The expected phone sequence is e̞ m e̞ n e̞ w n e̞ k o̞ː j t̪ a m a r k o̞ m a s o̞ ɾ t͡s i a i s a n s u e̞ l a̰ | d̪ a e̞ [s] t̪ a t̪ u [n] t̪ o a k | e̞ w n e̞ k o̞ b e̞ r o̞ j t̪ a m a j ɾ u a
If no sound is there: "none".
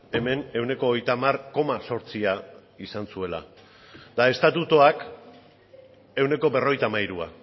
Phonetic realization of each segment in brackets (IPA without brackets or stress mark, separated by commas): s, none